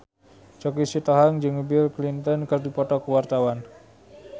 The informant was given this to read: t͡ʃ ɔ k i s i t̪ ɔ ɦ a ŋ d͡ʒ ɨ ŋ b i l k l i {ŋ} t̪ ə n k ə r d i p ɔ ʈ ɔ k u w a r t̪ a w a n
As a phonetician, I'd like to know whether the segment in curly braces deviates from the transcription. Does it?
yes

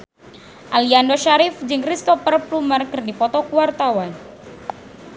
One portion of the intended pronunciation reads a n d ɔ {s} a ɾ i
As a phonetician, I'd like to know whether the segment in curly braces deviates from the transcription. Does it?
yes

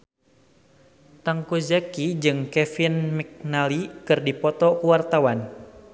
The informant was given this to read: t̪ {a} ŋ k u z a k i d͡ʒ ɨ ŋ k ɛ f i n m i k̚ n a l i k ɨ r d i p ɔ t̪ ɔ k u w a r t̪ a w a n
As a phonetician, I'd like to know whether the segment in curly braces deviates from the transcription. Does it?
no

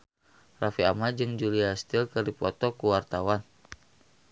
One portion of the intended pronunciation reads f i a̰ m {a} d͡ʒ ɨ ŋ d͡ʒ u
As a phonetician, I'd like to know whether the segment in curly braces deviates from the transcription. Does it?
no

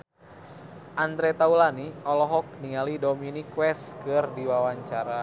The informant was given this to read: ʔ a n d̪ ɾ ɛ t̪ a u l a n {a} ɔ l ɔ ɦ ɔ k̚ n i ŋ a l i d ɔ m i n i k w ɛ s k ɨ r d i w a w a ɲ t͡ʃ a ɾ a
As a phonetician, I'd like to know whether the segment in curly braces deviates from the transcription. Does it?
yes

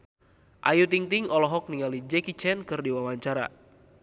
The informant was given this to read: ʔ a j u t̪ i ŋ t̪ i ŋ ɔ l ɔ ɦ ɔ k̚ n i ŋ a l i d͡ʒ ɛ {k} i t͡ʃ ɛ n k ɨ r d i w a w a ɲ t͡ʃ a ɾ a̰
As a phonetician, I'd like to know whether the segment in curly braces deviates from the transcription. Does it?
no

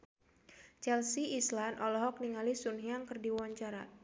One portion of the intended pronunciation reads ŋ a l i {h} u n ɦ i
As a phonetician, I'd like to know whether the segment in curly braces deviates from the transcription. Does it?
yes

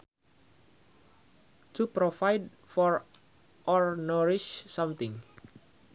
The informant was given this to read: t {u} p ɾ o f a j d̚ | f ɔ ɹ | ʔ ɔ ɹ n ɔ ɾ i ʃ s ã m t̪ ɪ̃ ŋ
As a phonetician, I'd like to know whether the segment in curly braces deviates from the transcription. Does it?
no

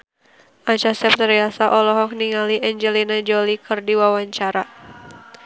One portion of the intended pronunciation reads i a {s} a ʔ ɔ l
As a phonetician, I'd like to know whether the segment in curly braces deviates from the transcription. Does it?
no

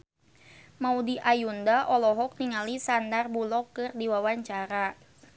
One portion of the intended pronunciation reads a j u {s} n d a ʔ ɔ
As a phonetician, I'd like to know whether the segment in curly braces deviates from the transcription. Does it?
yes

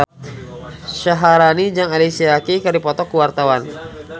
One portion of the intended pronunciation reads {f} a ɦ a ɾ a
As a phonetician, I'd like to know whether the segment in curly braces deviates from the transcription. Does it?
yes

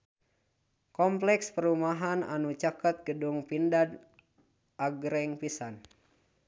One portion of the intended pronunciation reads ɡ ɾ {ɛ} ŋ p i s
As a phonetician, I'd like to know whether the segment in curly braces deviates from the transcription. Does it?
no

